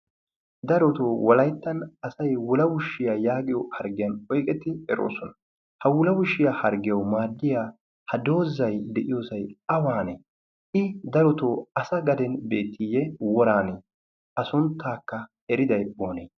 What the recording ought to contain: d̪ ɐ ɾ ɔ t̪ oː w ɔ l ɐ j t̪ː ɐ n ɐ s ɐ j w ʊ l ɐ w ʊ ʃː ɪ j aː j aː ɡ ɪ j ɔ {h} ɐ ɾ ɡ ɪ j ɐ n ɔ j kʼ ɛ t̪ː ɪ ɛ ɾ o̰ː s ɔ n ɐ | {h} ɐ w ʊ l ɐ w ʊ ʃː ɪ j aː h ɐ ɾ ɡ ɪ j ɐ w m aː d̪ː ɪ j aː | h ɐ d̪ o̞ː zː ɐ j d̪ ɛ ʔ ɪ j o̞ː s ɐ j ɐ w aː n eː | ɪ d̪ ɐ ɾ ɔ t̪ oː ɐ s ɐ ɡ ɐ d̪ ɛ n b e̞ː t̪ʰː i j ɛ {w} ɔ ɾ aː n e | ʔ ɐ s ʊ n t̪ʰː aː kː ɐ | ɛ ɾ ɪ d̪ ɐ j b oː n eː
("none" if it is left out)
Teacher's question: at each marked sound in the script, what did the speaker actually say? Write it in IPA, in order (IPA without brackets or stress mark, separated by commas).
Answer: h, h, w